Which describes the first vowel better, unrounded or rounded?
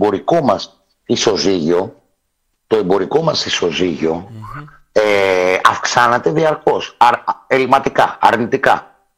rounded